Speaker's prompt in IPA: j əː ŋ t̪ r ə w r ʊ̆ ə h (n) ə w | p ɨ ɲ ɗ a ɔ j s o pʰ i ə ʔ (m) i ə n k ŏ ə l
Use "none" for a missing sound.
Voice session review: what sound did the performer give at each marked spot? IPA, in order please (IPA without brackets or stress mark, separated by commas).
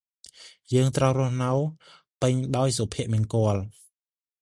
n, m